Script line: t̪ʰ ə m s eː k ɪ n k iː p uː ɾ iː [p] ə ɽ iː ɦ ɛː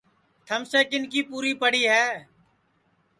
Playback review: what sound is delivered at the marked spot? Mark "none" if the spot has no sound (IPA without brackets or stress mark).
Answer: p